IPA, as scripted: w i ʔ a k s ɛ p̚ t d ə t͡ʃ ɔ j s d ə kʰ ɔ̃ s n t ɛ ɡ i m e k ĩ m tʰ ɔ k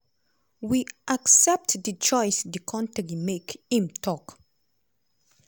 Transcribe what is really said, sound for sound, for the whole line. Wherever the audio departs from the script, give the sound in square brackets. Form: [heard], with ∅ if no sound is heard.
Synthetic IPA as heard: w i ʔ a k s ɛ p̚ t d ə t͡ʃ ɔ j s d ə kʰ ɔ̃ [∅] n t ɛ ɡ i m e k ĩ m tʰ ɔ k

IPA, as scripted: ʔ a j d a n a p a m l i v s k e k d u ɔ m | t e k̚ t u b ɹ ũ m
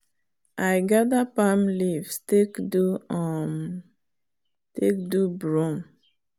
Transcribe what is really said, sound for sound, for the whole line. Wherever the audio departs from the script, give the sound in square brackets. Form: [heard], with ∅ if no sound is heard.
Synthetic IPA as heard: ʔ a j [ɡ] a [d] a p a m l i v s [t] e k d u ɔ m | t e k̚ [d] u b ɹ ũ m

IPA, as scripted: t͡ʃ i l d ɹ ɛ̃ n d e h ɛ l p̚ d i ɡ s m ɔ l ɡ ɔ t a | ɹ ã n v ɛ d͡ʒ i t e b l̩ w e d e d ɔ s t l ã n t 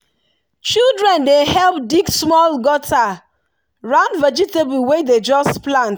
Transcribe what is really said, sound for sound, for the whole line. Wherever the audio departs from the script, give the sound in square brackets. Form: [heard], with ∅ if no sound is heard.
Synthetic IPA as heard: t͡ʃ i l d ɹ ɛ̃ n d e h ɛ l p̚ d i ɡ s m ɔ l ɡ ɔ t a | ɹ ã n v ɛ d͡ʒ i t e b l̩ w e d e [d͡ʒ] ɔ s [p] l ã n t

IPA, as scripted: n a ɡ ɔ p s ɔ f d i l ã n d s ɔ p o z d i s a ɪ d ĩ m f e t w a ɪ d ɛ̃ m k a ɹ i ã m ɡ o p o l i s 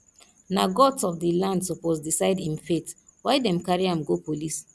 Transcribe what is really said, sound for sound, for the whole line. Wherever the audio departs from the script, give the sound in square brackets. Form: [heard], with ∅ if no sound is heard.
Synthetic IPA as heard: n a ɡ ɔ [t] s ɔ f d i l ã n d s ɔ p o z d i s a ɪ d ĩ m f e t w a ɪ d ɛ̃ m k a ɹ i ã m ɡ o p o l i s

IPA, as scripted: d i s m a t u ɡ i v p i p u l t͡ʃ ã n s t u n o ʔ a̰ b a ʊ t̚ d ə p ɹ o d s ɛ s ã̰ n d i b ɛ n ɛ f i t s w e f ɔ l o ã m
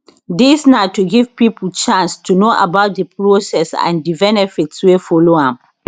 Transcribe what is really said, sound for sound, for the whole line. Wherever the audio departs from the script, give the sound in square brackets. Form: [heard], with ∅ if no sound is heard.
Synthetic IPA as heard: d i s [n] a t u ɡ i v p i p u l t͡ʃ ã n s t u n o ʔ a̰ b a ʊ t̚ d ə p ɹ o [∅] s ɛ s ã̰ n d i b ɛ n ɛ f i t s w e f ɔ l o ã m

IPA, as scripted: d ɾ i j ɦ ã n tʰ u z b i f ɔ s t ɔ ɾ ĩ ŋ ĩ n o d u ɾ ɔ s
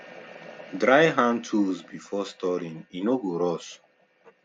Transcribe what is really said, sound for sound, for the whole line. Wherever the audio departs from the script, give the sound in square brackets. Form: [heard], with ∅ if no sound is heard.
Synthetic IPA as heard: d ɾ [a] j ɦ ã n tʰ u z b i f ɔ s t ɔ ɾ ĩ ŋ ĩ n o [ɡ] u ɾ ɔ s

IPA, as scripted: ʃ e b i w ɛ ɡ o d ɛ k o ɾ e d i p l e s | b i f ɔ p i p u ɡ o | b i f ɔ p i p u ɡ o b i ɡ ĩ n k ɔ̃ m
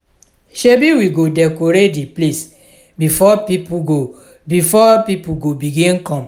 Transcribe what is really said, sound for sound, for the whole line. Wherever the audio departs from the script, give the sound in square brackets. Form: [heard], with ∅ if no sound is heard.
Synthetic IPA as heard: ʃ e b i w [i] ɡ o d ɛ k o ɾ e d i p l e s | b i f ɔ p i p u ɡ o | b i f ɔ p i p u ɡ o b i ɡ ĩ n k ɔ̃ m

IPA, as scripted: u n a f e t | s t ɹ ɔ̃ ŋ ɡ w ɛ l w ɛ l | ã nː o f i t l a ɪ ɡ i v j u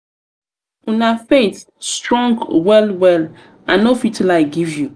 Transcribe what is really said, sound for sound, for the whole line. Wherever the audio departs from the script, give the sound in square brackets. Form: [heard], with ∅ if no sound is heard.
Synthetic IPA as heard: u n a f e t | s t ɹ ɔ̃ ŋ ɡ w ɛ l w ɛ l | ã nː o f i t l a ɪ ɡ i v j u

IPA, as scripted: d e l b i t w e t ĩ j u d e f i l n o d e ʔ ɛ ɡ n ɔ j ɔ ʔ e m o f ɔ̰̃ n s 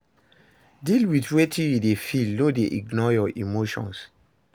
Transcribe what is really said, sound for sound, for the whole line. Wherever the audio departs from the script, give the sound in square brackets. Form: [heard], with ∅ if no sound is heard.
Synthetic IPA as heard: d [i] l [w] i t w e t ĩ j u d e f i l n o d e ʔ [i] ɡ n ɔ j ɔ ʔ [i] m o [ʃ] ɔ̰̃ n s

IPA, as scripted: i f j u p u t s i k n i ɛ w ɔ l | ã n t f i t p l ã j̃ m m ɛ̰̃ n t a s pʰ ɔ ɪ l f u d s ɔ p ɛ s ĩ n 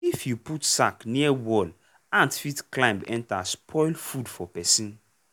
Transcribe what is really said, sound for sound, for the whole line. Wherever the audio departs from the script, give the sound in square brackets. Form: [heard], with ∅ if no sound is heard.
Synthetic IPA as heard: i f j u p u t s [a] k n i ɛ w ɔ l | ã n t f i t [k] l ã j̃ m [b] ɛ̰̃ n t a s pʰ ɔ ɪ l f u d [f] ɔ p ɛ s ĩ n

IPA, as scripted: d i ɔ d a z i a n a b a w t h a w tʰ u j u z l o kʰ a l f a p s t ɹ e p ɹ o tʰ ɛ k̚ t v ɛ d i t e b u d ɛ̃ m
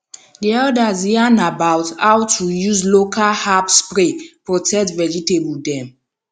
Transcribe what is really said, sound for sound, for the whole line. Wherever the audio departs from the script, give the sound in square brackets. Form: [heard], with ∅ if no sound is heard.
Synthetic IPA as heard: d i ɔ d a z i a n a b a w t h a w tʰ u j u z l o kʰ a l [h] a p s [p] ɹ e p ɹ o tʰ ɛ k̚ t v ɛ [d͡ʒ] i t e b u d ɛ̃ m

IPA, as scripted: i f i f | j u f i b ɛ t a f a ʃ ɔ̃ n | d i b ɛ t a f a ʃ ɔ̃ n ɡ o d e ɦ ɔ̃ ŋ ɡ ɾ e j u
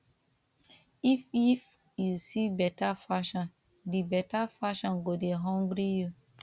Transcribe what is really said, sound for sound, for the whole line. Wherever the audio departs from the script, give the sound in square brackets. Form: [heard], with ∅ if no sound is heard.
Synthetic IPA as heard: i f i f | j u [s] i b ɛ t a f a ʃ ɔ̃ n | d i b ɛ t a f a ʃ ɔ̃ n ɡ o d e ɦ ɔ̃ ŋ ɡ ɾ [i] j u

